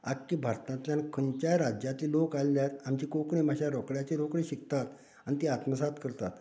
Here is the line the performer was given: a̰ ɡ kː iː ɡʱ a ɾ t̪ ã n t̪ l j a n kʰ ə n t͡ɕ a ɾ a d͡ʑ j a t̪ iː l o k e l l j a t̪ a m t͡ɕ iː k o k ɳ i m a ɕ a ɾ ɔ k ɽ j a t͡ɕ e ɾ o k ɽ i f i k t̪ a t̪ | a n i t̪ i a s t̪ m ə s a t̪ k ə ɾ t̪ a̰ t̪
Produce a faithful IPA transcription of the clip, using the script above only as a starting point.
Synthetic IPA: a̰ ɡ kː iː bʱ a ɾ t̪ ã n t̪ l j a n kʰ ə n t͡ɕ a ɾ a d͡ʑ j a t̪ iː l o k a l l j a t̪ a m t͡ɕ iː k o k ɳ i m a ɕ a ɾ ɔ k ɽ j a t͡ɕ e ɾ o k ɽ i ɕ i k t̪ a t̪ | a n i t̪ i a t̪ m ə s a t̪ k ə ɾ t̪ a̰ t̪